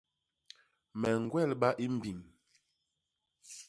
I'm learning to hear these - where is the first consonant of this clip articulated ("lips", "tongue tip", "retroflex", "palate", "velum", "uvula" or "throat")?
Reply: lips